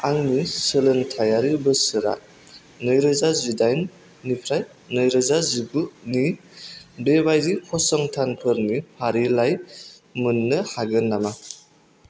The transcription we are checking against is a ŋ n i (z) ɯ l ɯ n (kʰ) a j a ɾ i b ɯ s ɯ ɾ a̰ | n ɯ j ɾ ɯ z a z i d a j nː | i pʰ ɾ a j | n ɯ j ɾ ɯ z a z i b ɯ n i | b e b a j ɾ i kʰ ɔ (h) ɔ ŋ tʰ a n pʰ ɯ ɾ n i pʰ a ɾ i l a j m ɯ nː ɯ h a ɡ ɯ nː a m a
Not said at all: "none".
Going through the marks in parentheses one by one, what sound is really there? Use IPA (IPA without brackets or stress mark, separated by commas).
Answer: s, tʰ, s